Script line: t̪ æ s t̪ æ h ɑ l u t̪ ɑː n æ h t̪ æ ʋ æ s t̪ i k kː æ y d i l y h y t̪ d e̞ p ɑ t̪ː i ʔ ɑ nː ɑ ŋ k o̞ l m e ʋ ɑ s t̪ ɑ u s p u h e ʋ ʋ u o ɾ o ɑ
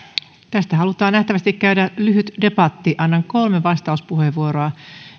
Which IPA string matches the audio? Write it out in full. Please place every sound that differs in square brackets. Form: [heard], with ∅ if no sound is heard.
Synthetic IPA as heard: t̪ æ s t̪ æ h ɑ l u t̪ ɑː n æ h t̪ æ ʋ æ s t̪ i k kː æ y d [æ] l y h y t̪ d e̞ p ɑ t̪ː i ʔ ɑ nː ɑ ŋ k o̞ l m e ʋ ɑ s t̪ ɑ u s p u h e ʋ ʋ u o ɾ o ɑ